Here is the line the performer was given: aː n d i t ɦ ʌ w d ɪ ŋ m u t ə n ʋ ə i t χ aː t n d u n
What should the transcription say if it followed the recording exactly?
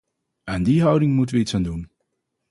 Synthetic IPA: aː n d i ɦ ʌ w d ɪ ŋ m u t ə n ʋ ə i t s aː n d u n